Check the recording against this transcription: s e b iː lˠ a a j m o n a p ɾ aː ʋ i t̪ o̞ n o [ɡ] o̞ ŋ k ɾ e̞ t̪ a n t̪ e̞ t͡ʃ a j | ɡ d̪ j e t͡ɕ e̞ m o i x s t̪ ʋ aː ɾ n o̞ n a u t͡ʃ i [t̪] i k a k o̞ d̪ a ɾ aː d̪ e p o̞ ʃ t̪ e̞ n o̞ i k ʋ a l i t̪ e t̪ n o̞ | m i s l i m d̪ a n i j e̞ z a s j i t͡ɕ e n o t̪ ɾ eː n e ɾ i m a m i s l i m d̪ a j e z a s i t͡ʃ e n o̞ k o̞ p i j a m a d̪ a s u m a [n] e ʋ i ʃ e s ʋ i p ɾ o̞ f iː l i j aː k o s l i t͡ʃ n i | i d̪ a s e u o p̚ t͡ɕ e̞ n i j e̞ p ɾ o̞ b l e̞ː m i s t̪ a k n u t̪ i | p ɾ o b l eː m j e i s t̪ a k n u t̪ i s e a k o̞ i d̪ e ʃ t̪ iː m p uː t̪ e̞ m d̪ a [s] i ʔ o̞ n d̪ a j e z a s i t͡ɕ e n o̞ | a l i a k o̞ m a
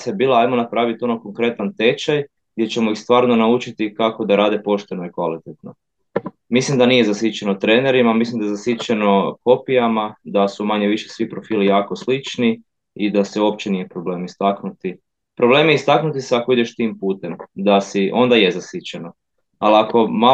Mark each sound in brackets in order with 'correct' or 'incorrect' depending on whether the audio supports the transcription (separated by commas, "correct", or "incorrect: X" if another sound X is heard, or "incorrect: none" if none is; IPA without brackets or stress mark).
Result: incorrect: k, correct, incorrect: ɲ, correct